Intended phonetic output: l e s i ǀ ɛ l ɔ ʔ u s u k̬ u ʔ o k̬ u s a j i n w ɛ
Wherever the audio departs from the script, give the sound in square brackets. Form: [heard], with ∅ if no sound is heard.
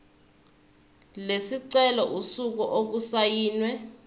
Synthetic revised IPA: l e s i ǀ ɛ l ɔ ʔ u s u k̬ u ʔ o k̬ u s a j [iː] n w ɛ